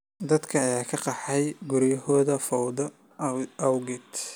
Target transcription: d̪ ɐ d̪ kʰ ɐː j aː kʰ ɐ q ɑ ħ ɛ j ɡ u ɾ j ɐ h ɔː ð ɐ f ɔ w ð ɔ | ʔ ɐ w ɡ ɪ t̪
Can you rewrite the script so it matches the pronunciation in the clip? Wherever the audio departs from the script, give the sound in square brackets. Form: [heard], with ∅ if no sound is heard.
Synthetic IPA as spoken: d̪ ɐ d̪ kʰ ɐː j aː kʰ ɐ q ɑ ħ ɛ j ɡ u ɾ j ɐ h ɔː ð ɐ f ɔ w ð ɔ | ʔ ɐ w ɡ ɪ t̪